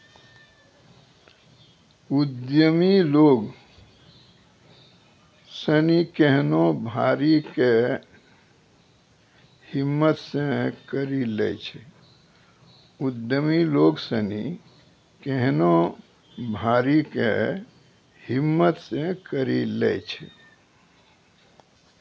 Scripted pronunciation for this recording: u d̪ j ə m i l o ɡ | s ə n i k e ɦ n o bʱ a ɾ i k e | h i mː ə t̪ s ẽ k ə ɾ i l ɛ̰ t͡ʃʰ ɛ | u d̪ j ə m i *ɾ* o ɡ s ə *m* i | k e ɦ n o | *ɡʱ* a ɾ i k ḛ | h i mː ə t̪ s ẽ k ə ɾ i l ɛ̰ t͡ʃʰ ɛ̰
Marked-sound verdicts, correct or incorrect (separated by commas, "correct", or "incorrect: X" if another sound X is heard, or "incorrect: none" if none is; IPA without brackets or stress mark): incorrect: l, incorrect: n, incorrect: bʱ